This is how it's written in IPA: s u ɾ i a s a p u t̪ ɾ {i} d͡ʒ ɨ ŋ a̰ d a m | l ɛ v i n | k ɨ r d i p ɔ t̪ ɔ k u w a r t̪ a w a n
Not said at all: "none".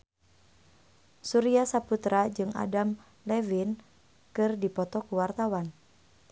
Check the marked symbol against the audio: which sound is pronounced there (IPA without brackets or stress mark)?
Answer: a